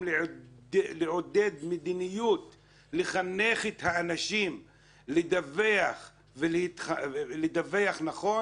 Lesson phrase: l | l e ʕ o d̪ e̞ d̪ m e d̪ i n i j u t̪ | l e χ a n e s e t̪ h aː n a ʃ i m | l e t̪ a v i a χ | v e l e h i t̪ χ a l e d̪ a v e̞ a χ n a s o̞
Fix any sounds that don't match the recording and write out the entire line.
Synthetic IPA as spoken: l | l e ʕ o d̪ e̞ d̪ m e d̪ i n i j u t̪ | l e χ a n e χ e t̪ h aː n a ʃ i m | l e d̪ a v e a χ | v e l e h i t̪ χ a l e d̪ a v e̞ a χ n a χ o̞